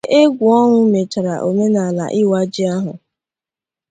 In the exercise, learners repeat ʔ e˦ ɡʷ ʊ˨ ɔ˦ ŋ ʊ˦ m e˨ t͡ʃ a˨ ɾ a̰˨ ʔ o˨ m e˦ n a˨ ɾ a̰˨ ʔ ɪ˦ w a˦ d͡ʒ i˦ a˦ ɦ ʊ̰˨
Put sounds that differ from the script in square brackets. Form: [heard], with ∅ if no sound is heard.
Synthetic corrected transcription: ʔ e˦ ɡʷ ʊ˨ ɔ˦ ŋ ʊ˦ m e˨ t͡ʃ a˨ ɾ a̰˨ ʔ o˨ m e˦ n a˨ [l] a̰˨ ʔ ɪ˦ w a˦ d͡ʒ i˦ a˦ ɦ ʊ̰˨